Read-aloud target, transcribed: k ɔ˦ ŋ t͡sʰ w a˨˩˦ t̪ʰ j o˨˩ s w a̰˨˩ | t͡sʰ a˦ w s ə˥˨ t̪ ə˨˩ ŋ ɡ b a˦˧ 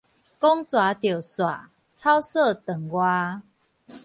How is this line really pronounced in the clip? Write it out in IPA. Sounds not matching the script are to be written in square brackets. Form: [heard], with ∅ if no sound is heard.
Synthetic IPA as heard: k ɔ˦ ŋ [t͡s] w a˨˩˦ [t̪] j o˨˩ s w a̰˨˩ | t͡sʰ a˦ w s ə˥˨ t̪ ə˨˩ ŋ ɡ [w] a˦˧